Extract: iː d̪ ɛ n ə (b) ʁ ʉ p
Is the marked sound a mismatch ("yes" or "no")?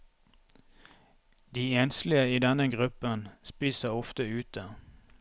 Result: yes